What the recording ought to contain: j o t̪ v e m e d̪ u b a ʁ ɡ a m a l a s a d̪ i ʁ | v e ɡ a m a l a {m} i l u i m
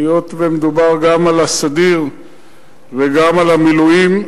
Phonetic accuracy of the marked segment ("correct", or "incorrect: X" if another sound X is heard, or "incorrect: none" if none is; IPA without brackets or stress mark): correct